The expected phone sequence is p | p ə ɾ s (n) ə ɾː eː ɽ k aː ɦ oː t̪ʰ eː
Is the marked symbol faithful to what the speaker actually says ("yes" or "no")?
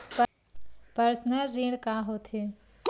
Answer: yes